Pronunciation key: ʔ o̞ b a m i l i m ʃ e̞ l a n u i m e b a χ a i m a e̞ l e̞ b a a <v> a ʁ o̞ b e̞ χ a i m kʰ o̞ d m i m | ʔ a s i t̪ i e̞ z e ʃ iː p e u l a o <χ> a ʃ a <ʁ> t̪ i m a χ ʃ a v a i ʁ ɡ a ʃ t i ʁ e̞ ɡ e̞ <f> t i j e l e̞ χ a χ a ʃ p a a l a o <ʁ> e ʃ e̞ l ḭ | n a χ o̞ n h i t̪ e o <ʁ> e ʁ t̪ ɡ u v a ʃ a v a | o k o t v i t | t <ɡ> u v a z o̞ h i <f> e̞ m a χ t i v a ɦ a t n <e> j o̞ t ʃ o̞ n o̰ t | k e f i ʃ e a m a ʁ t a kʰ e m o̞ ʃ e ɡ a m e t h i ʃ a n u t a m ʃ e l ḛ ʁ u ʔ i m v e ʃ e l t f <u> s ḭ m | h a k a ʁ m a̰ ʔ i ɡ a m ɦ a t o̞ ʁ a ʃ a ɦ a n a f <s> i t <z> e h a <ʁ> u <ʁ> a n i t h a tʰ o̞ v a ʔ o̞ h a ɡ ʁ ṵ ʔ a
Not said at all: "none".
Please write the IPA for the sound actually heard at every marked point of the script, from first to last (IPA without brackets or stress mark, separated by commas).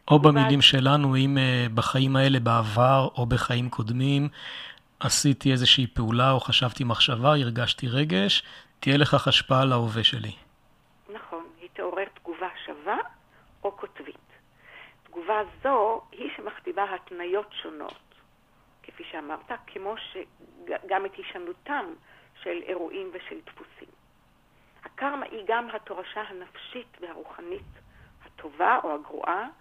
v, χ, v, ʃ, v, ʁ, ɡ, ʃ, a, u, ʃ, v, ʁ, χ